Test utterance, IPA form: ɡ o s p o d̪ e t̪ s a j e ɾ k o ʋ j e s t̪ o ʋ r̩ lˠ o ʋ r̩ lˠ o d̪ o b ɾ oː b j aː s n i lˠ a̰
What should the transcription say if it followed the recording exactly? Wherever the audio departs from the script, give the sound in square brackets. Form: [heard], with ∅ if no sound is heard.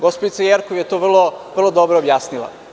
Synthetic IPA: ɡ o s p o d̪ [i] t̪ s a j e ɾ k o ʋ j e [∅] t̪ o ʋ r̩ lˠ o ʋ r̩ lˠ o d̪ o b ɾ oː b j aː s n i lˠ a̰